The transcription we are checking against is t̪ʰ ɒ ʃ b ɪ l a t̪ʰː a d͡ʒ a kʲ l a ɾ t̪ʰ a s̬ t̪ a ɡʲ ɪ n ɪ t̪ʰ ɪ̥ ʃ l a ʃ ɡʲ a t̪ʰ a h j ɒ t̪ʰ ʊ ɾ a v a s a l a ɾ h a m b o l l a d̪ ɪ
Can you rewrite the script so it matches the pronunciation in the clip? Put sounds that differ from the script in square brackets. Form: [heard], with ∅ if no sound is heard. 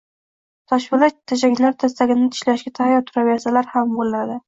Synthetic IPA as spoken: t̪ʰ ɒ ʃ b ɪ l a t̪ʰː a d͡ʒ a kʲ l a ɾ t̪ʰ a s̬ t̪ a ɡʲ ɪ n ɪ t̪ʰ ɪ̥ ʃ l a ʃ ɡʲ a t̪ʰ a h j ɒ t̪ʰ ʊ ɾ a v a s a l a ɾ h a m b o l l a d̪ ɪ